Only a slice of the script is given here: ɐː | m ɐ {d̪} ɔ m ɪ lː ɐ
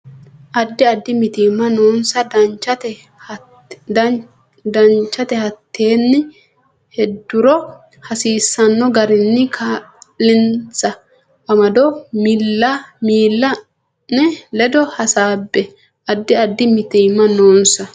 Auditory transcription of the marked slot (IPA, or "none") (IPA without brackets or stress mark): d̪